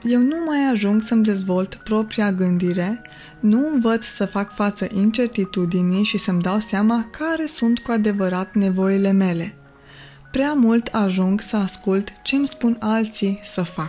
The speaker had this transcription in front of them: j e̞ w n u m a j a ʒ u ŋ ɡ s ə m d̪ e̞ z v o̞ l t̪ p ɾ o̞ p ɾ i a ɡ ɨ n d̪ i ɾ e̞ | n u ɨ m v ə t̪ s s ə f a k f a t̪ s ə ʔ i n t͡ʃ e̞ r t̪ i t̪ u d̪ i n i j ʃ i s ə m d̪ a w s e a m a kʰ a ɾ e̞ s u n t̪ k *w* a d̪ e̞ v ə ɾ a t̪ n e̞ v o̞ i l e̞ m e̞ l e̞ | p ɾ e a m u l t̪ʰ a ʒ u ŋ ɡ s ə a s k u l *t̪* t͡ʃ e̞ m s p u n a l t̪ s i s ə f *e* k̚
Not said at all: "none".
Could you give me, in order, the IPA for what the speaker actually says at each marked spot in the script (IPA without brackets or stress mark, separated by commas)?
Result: u, t̪, a